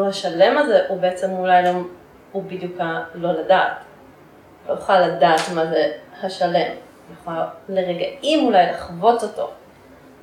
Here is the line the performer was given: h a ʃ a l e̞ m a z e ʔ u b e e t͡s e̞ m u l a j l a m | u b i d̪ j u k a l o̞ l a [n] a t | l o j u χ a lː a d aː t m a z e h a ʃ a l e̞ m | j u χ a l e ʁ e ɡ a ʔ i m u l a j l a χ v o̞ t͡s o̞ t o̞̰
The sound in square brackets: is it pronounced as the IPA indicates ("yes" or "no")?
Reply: no